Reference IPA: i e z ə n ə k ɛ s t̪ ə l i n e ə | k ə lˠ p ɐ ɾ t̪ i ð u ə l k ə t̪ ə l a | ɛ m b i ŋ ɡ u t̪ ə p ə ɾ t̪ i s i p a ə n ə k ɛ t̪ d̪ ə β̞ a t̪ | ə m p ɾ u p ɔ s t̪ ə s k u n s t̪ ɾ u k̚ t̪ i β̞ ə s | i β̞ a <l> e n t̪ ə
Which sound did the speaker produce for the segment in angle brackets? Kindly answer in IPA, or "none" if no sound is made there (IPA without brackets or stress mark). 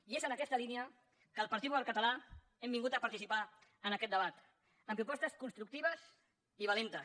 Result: l